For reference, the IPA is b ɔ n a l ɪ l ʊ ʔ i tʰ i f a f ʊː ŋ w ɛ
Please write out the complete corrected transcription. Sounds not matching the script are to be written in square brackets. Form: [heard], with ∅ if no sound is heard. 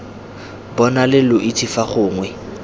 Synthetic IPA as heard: b ɔ n a l ɪ l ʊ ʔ i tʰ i f a [χ] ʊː ŋ w ɛ